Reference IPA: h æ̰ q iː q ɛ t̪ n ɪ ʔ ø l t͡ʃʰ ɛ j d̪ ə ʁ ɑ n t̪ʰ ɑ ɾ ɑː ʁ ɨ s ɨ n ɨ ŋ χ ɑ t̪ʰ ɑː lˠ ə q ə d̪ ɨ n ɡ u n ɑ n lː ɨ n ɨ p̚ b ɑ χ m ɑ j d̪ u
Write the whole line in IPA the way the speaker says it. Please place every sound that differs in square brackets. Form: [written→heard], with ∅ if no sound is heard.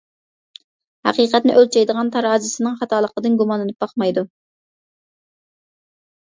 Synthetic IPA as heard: h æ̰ q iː q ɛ t̪ n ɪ ʔ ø l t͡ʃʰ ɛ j d̪ ə ʁ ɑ n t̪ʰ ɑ ɾ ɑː [ʁ→z] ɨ s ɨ n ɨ ŋ χ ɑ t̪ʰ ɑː lˠ ə q ə d̪ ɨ n ɡ u [n→m] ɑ n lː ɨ n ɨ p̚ b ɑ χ m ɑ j d̪ u